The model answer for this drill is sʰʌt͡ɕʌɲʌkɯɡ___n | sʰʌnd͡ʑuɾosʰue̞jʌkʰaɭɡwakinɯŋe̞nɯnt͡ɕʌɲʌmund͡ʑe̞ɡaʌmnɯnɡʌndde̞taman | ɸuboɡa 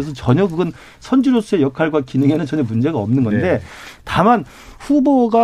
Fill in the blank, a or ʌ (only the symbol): ʌ